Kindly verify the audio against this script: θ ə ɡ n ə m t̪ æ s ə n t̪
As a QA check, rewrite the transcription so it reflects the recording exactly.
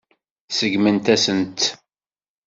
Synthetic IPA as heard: s ə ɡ m ə n t̪ æ s ə n t̪